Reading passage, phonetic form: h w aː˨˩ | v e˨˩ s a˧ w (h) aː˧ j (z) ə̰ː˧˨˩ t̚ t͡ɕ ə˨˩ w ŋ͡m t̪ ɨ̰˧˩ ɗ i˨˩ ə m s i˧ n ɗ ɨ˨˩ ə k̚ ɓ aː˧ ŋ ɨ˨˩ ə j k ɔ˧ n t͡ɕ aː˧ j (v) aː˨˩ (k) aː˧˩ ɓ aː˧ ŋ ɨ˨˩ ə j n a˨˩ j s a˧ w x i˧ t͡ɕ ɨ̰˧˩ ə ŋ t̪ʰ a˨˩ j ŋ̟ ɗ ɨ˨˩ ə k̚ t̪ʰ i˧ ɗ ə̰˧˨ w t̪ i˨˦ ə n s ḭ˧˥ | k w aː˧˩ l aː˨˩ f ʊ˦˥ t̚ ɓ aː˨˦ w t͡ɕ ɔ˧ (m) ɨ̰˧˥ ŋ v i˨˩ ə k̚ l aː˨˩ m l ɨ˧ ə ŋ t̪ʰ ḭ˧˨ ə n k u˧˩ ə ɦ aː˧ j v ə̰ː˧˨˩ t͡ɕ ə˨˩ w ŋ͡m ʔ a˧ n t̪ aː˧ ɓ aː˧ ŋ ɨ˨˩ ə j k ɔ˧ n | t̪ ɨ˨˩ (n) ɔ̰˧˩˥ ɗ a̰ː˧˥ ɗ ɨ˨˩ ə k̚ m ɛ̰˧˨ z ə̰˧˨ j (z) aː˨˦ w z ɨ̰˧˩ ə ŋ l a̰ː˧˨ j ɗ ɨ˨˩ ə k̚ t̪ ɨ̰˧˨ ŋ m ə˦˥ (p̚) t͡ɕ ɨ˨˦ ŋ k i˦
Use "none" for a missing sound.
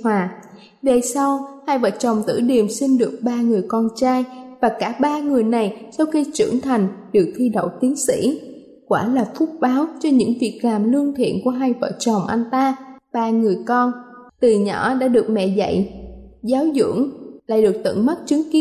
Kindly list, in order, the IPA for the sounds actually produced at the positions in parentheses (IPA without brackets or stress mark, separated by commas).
h, v, v, k, ɲ, ɲ, z, t̚